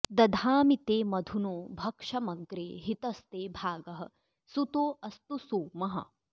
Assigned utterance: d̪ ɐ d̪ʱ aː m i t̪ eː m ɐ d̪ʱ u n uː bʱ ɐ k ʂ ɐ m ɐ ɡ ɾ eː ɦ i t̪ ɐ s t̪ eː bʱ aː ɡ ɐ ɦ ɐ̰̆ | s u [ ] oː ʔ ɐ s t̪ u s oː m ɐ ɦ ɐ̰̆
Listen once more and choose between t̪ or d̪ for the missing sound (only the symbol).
t̪